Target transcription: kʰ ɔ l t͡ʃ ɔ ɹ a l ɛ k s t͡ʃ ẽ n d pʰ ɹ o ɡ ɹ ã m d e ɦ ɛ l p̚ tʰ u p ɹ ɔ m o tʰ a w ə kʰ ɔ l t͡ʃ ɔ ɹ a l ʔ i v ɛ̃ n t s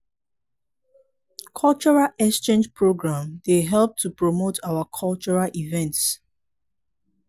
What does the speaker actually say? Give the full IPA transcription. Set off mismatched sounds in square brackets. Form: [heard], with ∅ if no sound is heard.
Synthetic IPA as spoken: kʰ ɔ l t͡ʃ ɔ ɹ a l ɛ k s t͡ʃ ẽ n [d͡ʒ] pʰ ɹ o ɡ ɹ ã m d e ɦ ɛ l p̚ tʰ u p ɹ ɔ m o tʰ a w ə kʰ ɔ l t͡ʃ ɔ ɹ a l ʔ i v ɛ̃ n t s